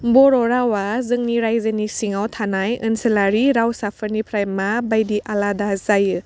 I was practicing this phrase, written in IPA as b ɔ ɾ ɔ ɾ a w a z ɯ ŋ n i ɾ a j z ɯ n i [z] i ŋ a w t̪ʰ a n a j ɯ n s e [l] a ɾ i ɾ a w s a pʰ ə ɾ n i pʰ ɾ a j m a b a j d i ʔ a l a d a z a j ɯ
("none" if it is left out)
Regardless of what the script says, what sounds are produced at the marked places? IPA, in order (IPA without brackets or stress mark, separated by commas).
s, l